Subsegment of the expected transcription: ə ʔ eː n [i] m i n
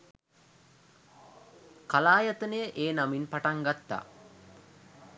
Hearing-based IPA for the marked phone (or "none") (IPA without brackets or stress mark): a